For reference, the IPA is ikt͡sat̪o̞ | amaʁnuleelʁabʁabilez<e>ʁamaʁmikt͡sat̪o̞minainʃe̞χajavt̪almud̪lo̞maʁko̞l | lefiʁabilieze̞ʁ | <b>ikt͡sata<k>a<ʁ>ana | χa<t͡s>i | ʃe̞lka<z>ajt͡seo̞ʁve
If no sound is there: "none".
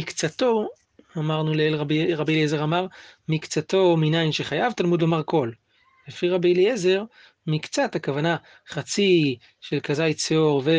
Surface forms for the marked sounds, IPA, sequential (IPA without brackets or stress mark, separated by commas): e, m, k, v, t͡s, z